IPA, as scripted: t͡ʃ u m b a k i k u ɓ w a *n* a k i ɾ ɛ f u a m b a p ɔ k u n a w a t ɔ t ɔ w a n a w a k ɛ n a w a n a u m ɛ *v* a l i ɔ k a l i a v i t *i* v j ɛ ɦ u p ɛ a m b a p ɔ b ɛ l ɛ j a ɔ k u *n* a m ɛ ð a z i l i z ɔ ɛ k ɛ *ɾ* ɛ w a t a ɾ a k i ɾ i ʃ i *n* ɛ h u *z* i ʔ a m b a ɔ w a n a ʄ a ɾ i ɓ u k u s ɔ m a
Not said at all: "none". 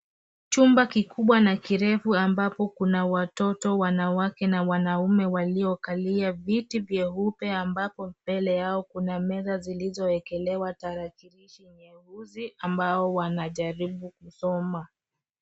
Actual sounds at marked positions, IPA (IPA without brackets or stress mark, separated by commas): n, w, i, n, l, ɲ, z